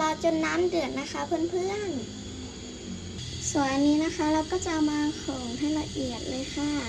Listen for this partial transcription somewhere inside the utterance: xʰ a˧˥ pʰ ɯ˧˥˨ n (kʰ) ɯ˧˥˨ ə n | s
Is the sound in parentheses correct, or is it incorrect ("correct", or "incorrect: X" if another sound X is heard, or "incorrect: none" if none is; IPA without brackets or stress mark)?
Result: incorrect: pʰ